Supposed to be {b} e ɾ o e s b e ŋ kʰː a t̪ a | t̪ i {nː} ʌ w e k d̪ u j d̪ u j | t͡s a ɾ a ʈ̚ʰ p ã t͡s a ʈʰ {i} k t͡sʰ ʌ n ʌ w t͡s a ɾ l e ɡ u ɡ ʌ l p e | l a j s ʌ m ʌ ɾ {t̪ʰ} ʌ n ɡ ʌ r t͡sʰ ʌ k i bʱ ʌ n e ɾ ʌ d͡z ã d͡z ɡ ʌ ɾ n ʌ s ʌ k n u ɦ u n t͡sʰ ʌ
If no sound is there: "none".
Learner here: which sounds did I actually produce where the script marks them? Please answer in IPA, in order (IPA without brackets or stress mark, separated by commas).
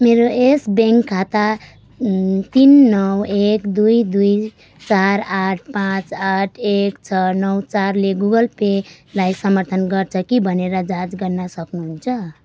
m, nː, e, t̪ʰ